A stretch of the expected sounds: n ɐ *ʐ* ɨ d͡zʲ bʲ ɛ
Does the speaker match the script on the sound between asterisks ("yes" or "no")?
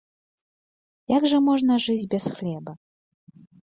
yes